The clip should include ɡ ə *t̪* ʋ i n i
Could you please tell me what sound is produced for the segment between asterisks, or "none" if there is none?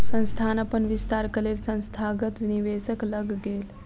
t̪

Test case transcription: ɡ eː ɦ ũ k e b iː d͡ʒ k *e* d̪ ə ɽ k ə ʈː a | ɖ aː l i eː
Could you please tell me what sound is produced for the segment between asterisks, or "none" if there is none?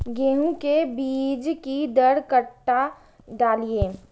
i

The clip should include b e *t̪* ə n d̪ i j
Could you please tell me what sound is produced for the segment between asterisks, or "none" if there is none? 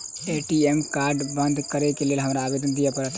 d̪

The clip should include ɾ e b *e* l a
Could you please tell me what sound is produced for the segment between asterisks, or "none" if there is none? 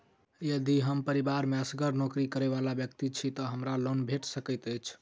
a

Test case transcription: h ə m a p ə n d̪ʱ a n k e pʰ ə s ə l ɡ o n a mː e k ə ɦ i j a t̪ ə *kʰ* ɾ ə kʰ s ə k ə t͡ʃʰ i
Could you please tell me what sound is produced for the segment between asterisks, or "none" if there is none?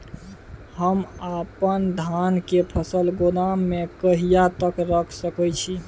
k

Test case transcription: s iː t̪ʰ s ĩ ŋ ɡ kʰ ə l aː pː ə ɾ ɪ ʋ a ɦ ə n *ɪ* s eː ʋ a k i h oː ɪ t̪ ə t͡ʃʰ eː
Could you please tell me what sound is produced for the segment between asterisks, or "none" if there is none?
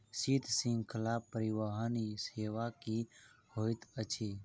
i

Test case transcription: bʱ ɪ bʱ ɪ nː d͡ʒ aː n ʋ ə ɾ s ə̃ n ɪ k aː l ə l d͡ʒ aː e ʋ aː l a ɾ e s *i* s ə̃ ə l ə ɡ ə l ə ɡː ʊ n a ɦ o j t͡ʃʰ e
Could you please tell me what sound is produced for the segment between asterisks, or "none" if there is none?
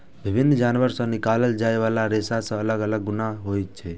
a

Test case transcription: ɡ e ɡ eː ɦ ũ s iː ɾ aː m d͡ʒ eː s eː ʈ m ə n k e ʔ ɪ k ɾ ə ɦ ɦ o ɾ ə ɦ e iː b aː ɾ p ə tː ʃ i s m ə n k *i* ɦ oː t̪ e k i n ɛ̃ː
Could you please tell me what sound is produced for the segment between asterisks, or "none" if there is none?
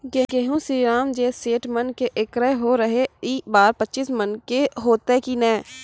e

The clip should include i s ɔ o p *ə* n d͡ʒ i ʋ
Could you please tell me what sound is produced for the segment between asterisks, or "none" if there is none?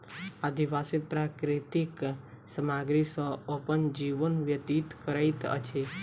ə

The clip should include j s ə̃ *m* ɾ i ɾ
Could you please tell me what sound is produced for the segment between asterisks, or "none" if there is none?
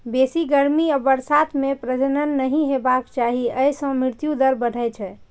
m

